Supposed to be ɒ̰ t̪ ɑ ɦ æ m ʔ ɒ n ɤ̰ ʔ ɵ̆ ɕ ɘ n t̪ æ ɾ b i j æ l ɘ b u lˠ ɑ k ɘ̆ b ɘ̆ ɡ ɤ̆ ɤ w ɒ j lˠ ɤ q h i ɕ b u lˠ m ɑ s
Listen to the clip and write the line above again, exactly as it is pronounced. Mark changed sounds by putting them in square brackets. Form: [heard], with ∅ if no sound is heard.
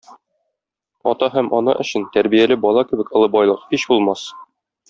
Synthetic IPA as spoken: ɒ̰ t̪ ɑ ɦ æ m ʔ ɒ n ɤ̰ ʔ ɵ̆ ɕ ɘ n t̪ æ ɾ b i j æ l ɘ b [ɒ] lˠ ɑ k ɘ̆ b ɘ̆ [k] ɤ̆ ɤ [b] ɒ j lˠ ɤ q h i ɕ b u lˠ m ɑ s

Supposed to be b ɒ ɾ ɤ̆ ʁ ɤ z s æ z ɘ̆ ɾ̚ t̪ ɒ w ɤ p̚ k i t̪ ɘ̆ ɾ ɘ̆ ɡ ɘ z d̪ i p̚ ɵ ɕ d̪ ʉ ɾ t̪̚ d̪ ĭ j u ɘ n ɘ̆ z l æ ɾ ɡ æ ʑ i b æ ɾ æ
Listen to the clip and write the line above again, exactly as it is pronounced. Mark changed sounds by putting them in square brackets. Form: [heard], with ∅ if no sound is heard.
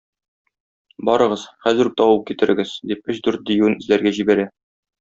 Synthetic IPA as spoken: b ɒ ɾ ɤ̆ ʁ ɤ z [χ] æ z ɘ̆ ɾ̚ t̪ ɒ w ɤ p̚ k i t̪ ɘ̆ ɾ ɘ̆ ɡ ɘ z d̪ i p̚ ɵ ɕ d̪ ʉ ɾ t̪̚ d̪ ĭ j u ɘ n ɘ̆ z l æ ɾ ɡ æ ʑ i b æ ɾ æ

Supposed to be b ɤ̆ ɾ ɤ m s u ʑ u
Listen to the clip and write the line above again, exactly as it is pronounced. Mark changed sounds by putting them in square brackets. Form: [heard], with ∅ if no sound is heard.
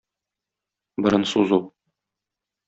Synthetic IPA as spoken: b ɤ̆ ɾ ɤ [n] s u [z] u

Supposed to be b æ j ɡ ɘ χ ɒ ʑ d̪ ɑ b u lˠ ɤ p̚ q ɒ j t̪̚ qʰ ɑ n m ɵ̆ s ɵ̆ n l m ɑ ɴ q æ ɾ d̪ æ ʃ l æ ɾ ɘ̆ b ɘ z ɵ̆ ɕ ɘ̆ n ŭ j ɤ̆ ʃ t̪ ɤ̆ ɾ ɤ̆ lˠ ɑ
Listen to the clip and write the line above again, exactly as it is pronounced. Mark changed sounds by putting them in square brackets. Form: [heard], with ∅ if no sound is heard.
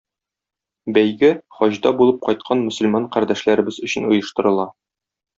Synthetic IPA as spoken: b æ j ɡ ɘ χ ɒ ʑ d̪ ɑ b u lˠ ɤ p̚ q ɒ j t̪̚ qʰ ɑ n m ɵ̆ s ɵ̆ [∅] l m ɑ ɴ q æ ɾ d̪ æ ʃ l æ ɾ ɘ̆ b ɘ z ɵ̆ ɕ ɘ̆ n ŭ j ɤ̆ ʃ t̪ ɤ̆ ɾ ɤ̆ lˠ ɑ

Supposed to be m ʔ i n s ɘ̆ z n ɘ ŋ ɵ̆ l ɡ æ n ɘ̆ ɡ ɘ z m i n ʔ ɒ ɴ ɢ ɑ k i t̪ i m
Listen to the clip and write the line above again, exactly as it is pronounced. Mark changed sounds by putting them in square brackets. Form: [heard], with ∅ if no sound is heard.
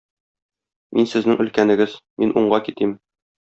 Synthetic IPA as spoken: m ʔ i n s ɘ̆ z n ɘ ŋ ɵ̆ l [k] æ n ɘ̆ ɡ ɘ z m i n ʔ [u] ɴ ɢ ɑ k i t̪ i m

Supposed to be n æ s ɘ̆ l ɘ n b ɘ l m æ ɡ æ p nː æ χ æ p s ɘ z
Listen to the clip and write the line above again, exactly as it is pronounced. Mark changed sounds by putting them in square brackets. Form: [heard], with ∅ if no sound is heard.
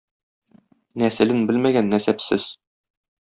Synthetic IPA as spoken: n æ s ɘ̆ l ɘ n b ɘ l m æ ɡ æ [∅] nː æ [s] æ p s ɘ z

